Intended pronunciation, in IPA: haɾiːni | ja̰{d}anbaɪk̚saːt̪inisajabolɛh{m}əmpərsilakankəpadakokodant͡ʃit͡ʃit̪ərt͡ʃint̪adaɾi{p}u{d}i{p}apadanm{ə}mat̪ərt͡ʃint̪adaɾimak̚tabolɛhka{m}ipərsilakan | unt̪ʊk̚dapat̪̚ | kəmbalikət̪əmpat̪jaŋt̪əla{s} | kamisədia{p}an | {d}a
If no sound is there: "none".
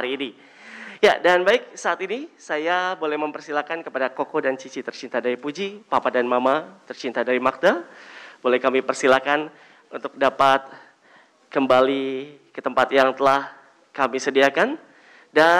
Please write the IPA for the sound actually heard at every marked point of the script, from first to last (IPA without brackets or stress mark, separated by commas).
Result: d, m, p, d͡ʒ, p, a, m, h, k, d